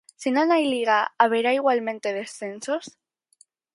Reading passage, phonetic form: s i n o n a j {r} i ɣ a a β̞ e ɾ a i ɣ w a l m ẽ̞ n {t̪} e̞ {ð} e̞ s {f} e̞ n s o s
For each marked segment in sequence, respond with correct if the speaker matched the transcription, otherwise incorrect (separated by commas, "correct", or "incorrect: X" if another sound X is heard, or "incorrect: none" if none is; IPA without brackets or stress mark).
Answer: incorrect: l, correct, correct, incorrect: θ